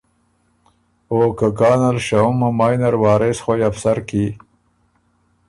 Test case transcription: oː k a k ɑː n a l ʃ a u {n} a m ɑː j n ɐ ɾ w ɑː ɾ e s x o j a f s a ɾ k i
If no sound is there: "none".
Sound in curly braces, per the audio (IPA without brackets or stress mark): m